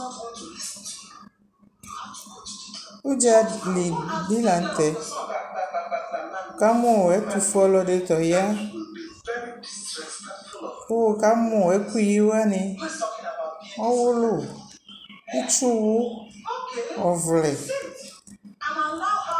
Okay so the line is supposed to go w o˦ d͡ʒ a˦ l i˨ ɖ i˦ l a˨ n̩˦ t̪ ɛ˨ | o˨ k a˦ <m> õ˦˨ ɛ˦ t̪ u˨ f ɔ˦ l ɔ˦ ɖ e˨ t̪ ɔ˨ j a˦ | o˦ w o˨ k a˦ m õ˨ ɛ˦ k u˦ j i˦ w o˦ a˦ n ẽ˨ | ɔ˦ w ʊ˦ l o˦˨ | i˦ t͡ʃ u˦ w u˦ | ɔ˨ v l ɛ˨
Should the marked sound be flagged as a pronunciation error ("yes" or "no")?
no